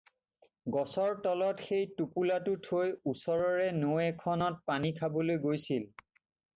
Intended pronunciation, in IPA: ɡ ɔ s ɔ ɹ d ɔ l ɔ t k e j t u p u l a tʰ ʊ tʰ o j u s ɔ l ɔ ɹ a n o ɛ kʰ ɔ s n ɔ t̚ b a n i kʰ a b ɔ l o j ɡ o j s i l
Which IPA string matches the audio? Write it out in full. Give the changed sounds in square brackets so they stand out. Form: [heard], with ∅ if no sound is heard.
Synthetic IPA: ɡ ɔ s ɔ ɹ [t] ɔ l ɔ t [x] e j t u p u l a [t] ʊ tʰ o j u s ɔ [ɹ] ɔ ɹ [ɛ] n o ɛ kʰ ɔ [∅] n ɔ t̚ [p] a n i kʰ a b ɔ l o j ɡ o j s i l